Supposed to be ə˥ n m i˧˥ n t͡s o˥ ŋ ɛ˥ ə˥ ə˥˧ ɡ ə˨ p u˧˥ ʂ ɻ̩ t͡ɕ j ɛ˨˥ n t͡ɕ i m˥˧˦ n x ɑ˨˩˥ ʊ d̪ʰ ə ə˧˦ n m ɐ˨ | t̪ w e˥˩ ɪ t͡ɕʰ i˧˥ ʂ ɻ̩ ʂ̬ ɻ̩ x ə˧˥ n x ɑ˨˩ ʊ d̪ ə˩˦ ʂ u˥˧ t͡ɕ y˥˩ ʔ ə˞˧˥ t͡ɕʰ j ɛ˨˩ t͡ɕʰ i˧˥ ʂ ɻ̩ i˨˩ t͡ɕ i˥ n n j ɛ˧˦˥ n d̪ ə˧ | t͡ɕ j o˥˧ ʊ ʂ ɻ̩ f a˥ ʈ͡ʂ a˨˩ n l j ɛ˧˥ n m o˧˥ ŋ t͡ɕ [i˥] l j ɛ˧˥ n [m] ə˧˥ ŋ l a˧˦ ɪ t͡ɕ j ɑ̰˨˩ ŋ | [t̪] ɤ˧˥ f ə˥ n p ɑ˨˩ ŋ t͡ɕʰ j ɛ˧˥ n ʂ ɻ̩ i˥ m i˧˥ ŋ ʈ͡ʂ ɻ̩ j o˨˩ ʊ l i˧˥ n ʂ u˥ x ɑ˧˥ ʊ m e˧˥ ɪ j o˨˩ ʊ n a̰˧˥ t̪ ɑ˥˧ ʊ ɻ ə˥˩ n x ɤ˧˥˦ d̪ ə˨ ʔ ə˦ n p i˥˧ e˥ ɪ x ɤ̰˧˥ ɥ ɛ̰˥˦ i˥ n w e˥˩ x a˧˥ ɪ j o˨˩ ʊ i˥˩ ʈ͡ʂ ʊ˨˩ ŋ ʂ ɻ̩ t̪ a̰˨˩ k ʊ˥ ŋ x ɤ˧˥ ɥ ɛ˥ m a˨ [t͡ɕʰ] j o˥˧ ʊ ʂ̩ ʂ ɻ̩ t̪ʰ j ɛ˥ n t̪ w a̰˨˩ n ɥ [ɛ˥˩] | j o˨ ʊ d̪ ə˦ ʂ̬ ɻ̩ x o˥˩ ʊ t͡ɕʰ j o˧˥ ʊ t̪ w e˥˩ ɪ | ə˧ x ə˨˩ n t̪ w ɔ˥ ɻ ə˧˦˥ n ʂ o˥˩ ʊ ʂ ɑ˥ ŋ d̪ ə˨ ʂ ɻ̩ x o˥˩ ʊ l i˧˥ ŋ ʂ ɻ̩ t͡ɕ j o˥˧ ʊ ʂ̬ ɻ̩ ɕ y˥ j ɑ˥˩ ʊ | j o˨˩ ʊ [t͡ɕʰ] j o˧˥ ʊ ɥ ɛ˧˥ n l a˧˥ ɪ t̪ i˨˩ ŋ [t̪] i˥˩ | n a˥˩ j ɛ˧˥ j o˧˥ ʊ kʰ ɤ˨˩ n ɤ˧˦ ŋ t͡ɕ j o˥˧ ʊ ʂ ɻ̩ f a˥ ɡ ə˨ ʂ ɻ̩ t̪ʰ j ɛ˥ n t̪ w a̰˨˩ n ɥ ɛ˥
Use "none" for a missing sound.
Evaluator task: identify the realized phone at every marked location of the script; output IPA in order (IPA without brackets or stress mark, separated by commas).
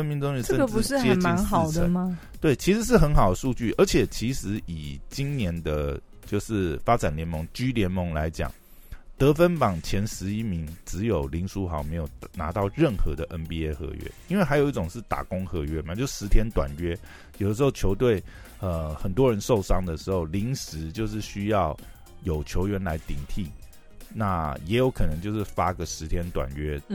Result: y˥, m, t̪, t͡ɕ, ɛ˥, t͡ɕʰ, t̪ʰ